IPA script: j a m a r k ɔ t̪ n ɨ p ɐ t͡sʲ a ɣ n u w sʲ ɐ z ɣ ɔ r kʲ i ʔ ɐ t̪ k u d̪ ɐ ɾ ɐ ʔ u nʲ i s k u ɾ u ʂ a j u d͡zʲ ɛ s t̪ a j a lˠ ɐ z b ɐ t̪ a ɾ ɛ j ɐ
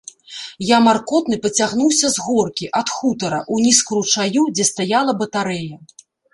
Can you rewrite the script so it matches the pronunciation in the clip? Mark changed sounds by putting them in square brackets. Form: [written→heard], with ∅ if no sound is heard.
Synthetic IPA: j a m a r k ɔ t̪ n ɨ p ɐ t͡sʲ a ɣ n u w sʲ ɐ z ɣ ɔ r kʲ i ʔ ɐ t̪ [k→x] u [d̪→t̪] ɐ ɾ ɐ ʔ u nʲ i s k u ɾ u [ʂ→t͡ʂ] a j u d͡zʲ ɛ s t̪ a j a lˠ ɐ [z→∅] b ɐ t̪ a ɾ ɛ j ɐ